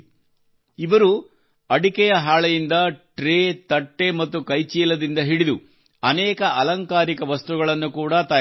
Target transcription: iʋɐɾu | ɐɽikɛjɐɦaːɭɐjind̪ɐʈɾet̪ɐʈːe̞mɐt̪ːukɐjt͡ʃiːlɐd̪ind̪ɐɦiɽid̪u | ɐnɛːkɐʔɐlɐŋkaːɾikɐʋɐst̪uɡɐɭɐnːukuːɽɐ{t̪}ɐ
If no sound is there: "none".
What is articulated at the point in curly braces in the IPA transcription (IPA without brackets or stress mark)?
t̪